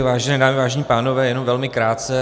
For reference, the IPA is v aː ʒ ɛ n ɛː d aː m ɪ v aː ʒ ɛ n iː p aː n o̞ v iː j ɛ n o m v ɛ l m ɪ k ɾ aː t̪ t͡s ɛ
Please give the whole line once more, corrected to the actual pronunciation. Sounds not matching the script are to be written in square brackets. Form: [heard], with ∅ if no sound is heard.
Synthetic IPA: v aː ʒ ɛ n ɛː d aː m ɪ v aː ʒ ɛ [ɲ] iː p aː n o̞ v [ɛː] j ɛ n o m v ɛ l m ɪ k ɾ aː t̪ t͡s ɛ